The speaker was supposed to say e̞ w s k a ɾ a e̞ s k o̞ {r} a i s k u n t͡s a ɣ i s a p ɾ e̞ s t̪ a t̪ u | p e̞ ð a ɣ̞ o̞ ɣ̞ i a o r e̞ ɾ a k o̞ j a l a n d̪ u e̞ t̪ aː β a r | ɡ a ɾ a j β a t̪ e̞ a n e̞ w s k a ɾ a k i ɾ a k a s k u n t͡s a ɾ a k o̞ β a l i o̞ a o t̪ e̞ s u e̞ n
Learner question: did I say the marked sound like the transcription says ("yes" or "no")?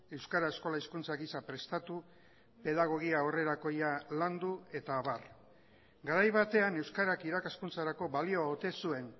no